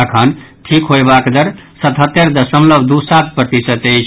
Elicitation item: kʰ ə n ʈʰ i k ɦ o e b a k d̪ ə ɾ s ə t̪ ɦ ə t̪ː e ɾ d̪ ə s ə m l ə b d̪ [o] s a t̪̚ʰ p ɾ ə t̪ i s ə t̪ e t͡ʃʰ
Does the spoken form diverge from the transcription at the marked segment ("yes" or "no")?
yes